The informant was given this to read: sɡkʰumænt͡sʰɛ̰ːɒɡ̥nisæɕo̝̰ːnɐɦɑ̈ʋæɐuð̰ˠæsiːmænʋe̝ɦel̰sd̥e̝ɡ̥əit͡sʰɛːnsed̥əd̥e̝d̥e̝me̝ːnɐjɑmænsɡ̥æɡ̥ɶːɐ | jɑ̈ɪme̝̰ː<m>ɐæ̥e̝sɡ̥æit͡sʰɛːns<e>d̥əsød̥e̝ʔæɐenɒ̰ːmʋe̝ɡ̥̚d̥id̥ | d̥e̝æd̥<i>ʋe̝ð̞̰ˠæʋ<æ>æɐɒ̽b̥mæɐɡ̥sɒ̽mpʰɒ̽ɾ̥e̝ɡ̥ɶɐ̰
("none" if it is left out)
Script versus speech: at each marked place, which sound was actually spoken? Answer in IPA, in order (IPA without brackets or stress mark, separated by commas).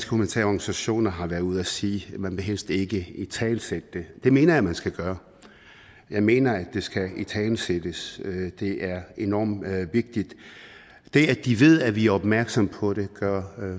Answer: n, e, i, i